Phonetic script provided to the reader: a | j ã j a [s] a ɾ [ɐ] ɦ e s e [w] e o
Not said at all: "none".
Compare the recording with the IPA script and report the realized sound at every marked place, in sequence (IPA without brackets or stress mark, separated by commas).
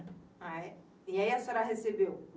s, a, b